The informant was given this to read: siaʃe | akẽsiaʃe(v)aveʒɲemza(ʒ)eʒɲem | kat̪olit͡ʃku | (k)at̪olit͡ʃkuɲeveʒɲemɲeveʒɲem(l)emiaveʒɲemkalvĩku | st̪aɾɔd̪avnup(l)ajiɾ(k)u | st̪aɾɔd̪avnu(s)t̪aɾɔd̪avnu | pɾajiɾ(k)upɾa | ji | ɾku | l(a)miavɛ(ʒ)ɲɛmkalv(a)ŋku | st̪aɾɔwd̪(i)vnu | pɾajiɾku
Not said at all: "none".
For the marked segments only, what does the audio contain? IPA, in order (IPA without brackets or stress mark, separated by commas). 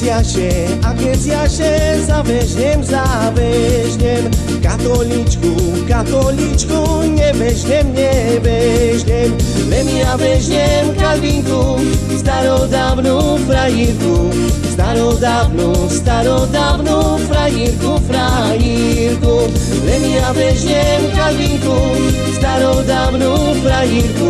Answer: z, v, k, l, ɾ, k, s, k, ɛ, ʒ, i, a